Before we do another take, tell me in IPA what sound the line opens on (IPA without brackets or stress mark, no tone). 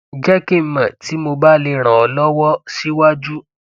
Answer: d͡ʒ